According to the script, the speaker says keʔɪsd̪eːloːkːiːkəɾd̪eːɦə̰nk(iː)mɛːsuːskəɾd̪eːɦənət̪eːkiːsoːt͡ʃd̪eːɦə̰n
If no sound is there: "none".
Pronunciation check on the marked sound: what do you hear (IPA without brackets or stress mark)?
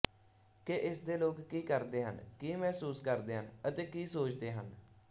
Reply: iː